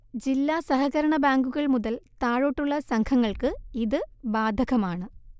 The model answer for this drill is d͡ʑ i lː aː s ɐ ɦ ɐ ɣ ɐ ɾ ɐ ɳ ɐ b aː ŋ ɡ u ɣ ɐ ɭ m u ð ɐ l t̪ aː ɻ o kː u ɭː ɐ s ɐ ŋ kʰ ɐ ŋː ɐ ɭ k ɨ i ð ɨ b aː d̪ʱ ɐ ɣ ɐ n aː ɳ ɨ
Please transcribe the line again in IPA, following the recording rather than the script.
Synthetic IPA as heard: d͡ʑ i lː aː s ɐ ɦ ɐ ɣ ɐ ɾ ɐ ɳ ɐ b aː ŋ ɡ u ɣ ɐ ɭ m u ð ɐ l t̪ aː ɻ o ʈː u ɭː ɐ s ɐ ŋ kʰ ɐ ŋː ɐ ɭ k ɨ i ð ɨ b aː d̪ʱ ɐ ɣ ɐ m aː ɳ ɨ